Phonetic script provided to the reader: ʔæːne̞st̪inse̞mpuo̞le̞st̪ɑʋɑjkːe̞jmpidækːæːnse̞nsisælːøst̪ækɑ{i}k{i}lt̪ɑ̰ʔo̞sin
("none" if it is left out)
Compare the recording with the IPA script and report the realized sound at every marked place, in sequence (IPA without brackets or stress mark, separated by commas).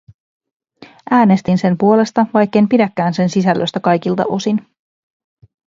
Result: j, i